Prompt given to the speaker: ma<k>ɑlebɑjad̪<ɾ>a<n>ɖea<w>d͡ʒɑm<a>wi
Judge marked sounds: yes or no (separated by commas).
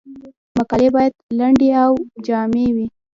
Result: yes, no, no, yes, no